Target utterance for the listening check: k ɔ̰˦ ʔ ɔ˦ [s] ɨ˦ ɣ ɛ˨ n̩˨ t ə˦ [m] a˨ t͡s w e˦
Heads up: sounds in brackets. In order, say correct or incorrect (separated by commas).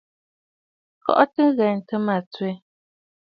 incorrect, correct